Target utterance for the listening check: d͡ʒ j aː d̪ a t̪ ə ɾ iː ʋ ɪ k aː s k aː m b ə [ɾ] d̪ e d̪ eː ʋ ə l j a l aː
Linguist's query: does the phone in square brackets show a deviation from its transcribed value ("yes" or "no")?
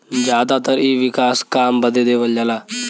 yes